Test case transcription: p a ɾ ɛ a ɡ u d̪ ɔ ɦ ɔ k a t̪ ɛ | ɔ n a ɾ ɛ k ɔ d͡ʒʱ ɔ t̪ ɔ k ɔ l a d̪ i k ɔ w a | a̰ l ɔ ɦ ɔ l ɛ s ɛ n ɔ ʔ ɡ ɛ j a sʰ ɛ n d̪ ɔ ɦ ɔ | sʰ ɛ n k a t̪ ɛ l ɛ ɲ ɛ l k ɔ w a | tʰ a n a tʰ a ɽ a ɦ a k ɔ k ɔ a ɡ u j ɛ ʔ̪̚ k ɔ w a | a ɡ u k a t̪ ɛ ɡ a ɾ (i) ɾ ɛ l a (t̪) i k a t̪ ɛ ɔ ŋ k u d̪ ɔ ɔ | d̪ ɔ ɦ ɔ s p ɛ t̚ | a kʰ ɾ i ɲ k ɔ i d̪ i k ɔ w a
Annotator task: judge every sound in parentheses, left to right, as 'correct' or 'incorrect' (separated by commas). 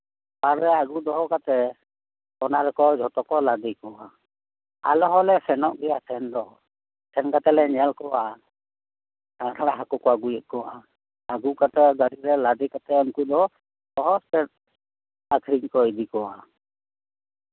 correct, incorrect